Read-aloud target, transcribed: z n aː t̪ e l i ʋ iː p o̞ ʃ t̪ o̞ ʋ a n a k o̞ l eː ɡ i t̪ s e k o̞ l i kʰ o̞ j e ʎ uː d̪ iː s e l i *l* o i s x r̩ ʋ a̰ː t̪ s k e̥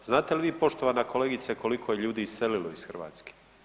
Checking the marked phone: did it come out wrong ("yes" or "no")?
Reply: no